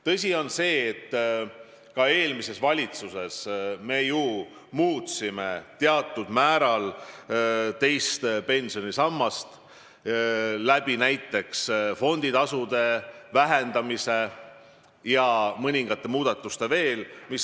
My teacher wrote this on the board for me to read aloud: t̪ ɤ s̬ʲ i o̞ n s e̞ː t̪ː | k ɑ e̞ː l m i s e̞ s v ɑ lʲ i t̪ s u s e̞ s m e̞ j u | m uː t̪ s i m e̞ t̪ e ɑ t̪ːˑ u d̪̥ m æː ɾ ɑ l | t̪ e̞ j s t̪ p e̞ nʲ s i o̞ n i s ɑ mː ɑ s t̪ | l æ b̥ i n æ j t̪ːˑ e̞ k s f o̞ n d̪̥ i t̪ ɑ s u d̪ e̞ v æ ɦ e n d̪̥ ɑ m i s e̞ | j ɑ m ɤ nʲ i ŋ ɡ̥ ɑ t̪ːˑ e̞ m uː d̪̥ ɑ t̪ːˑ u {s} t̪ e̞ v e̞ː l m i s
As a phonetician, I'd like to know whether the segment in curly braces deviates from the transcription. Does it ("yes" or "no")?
no